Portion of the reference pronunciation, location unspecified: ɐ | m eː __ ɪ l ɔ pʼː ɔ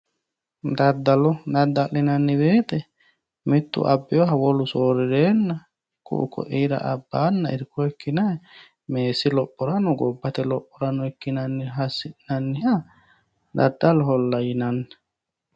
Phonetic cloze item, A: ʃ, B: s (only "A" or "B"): B